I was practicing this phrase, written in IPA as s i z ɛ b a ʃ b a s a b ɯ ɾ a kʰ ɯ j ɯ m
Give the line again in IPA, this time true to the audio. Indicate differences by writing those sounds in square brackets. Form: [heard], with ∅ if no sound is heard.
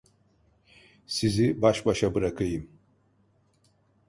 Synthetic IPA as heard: s i z [i] b a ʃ b a [ʃ] a b ɯ ɾ a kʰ ɯ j ɯ m